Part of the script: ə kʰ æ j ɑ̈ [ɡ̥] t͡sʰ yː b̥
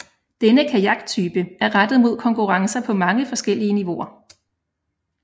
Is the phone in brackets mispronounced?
no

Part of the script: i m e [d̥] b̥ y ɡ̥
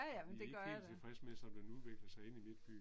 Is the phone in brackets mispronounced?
no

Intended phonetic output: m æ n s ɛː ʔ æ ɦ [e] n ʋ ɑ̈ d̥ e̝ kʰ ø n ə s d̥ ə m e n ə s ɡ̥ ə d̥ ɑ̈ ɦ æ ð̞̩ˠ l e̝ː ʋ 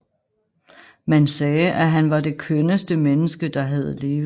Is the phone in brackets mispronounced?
yes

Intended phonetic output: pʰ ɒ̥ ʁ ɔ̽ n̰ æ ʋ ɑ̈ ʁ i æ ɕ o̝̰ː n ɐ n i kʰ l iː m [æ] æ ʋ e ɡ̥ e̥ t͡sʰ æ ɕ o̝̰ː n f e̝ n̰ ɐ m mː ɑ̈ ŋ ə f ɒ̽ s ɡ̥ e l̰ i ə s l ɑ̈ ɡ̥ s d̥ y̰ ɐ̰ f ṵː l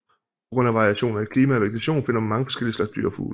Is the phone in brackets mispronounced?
no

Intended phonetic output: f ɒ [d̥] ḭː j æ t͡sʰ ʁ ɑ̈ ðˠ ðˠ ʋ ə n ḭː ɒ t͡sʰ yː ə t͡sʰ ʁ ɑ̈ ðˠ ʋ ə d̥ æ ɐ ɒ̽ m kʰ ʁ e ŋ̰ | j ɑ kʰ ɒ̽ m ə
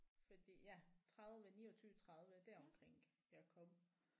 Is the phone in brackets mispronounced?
no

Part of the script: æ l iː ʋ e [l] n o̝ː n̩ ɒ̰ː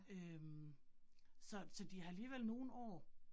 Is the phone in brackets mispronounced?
no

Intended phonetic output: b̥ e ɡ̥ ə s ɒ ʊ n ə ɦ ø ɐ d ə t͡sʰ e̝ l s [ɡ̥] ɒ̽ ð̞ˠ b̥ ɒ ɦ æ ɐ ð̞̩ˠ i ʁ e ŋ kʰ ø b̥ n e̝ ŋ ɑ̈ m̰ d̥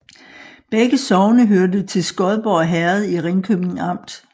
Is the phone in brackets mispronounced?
no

